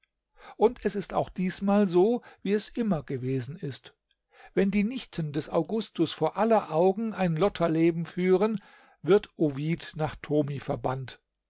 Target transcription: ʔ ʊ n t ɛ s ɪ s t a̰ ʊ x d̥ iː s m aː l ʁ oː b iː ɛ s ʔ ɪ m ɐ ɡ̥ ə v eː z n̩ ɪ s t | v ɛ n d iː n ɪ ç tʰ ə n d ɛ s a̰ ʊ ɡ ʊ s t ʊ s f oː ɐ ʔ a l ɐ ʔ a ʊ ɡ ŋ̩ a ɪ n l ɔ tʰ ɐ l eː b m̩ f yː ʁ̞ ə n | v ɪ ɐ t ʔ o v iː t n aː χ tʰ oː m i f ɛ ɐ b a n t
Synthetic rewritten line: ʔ ʊ n t ɛ s ɪ s t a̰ ʊ x d̥ iː s m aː l z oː v iː ɛ s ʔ ɪ m ɐ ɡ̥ ə v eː z n̩ ɪ s t | v ɛ n d iː n ɪ ç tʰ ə n d ɛ s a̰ ʊ ɡ ʊ s t ʊ s f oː ɐ ʔ a l ɐ ʔ a ʊ ɡ ŋ̩ a ɪ n l ɔ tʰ ɐ l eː b m̩ f yː ʁ̞ ə n | v ɪ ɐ t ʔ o v iː t n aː χ tʰ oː m i f ɛ ɐ b a n t